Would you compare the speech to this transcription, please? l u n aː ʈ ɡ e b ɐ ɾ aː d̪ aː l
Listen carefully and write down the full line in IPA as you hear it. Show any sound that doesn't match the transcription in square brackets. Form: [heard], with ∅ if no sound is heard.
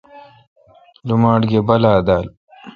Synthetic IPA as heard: l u [m] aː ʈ ɡ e b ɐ [l] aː d̪ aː l